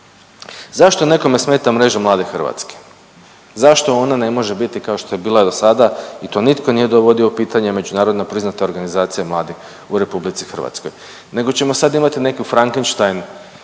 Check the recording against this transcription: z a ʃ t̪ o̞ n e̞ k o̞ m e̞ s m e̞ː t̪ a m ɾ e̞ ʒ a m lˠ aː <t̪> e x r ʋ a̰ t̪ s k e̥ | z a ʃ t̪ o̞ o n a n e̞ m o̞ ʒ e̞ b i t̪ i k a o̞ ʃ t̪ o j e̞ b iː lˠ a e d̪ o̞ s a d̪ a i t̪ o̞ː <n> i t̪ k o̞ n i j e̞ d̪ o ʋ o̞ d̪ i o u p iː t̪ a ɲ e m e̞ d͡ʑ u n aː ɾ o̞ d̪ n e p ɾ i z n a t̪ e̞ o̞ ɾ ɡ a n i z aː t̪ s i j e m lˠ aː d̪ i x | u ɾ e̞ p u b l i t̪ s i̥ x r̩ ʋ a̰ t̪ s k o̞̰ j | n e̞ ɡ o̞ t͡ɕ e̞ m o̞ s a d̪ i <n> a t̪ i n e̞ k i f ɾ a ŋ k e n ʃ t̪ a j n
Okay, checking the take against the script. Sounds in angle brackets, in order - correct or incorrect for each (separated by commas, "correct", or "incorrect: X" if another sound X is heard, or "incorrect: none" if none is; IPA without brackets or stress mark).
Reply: incorrect: d̪, correct, incorrect: m